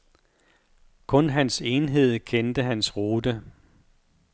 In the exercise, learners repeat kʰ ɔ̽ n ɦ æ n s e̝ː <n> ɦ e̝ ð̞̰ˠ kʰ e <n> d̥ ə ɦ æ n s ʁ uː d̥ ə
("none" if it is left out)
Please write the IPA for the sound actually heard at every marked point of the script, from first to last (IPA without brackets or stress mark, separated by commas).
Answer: n, n